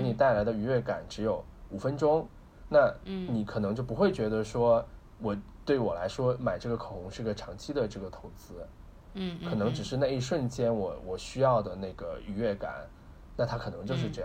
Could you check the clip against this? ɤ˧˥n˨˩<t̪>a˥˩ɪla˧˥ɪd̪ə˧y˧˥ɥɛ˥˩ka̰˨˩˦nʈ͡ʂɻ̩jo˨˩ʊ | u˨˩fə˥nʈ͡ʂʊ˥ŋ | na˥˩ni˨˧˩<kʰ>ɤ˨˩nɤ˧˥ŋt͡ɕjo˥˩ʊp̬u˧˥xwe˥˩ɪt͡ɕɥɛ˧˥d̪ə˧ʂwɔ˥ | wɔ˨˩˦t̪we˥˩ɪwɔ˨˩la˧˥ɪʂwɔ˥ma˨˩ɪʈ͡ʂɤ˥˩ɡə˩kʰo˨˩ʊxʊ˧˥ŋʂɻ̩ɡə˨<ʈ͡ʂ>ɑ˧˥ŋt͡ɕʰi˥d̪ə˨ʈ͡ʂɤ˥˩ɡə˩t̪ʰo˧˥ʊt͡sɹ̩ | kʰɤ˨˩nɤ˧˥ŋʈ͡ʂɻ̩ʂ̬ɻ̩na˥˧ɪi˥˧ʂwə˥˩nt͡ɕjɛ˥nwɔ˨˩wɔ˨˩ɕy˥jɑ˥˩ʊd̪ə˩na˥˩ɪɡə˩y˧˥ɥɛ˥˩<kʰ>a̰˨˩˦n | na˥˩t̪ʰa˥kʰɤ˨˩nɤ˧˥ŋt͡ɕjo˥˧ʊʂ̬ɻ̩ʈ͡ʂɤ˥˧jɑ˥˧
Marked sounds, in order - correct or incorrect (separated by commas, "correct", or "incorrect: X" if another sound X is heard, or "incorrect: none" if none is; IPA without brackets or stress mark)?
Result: correct, correct, incorrect: ʈ͡ʂʰ, incorrect: k